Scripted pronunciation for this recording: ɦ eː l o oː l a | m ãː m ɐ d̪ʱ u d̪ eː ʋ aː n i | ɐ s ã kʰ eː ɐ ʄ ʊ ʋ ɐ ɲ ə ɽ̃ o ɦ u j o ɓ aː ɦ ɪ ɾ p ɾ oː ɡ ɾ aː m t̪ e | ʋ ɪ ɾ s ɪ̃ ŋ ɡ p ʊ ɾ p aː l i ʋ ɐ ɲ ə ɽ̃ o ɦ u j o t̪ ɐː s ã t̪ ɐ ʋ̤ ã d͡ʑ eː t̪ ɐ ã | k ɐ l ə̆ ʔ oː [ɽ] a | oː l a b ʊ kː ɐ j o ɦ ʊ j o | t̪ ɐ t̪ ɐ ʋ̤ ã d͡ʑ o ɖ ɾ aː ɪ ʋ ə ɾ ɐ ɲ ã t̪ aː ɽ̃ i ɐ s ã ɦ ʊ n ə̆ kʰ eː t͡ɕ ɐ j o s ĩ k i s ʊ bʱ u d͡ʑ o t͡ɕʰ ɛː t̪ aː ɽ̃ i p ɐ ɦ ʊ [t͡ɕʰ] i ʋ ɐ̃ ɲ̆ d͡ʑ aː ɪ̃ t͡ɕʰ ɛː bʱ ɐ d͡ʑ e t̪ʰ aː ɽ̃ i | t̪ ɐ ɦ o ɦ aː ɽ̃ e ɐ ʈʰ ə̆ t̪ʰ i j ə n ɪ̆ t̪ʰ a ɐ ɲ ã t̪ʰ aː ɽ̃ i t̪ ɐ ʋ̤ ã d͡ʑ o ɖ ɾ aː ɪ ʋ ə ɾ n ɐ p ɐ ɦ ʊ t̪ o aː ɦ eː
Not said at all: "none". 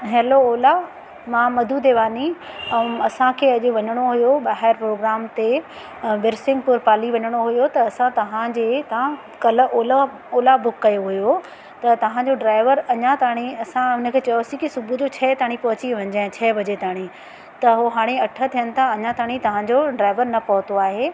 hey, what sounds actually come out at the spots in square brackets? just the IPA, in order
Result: l, t͡ɕ

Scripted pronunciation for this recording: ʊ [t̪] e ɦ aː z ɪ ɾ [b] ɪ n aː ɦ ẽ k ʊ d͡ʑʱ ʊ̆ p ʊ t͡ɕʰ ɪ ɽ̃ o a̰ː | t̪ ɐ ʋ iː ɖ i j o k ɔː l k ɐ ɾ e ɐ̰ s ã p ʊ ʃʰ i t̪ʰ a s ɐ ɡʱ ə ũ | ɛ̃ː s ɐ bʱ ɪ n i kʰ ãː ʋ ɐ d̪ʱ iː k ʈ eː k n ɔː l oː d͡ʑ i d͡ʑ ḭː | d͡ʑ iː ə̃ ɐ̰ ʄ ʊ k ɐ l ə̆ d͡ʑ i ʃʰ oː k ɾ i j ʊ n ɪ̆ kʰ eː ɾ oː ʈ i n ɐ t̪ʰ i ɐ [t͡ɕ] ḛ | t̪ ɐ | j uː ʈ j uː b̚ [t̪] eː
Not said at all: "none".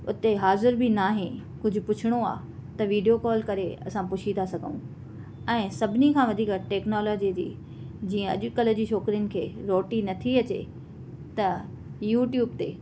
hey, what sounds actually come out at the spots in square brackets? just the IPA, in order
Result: t̪, b, t͡ɕ, t̪

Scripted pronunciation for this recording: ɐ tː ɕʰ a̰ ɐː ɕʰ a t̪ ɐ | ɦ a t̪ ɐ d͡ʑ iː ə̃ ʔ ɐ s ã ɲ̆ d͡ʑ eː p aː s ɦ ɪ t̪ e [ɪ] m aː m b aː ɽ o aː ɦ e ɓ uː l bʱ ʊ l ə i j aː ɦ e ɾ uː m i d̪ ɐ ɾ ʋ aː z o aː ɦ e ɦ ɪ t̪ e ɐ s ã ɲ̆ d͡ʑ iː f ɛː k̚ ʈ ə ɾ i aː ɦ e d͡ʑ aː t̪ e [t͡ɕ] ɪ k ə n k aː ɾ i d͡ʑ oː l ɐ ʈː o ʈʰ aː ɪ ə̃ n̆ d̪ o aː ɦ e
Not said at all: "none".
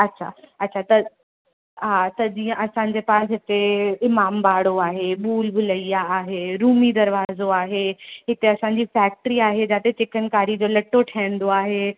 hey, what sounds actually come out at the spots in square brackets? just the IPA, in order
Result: ɪ, t͡ɕ

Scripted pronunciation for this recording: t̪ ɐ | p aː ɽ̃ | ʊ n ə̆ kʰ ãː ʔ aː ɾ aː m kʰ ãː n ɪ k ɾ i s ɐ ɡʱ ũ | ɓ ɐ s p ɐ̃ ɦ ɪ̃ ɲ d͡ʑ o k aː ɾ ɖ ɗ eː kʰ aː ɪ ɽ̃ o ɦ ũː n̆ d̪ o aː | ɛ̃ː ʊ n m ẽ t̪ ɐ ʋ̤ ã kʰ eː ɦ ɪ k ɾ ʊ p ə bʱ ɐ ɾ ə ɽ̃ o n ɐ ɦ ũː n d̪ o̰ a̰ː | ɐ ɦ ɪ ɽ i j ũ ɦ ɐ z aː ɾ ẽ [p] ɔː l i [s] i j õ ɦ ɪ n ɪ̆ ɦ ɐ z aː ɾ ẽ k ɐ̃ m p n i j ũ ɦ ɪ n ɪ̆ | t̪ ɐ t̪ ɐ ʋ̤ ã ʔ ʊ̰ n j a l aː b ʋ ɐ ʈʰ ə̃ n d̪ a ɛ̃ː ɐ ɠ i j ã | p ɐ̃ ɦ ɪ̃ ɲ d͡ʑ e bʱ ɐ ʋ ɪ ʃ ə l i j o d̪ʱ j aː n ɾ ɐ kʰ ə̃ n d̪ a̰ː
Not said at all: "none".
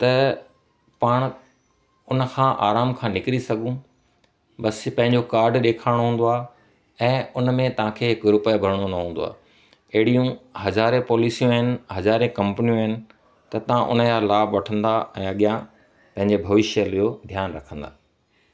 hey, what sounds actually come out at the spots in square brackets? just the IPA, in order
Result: p, s

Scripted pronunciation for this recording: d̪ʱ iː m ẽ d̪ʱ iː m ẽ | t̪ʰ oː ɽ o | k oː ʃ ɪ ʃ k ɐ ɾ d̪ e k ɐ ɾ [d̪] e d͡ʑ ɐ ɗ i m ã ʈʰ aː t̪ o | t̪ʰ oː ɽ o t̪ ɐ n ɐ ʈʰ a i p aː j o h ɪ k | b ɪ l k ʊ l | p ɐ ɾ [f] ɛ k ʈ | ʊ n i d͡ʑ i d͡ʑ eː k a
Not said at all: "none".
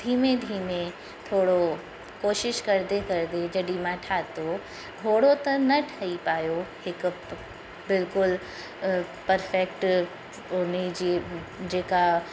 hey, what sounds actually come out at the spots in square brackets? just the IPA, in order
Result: d̪, f

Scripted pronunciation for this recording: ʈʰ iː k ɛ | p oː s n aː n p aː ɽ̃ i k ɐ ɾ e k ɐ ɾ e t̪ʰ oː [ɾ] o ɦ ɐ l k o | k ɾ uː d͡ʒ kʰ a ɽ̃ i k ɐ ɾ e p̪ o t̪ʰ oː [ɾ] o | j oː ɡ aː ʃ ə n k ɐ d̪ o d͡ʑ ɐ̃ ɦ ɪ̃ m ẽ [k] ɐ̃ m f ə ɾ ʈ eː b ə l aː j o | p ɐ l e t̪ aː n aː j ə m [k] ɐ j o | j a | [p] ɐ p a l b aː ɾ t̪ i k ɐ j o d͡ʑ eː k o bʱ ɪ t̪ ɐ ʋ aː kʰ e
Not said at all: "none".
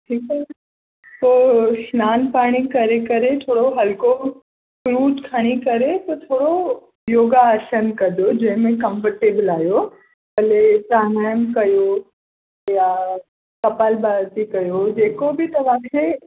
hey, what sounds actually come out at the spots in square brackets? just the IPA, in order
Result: ɽ, ɽ, k, k, k

